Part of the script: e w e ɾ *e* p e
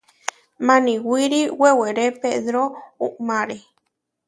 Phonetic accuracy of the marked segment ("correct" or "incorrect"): correct